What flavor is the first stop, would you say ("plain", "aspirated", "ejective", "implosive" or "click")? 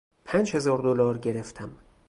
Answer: aspirated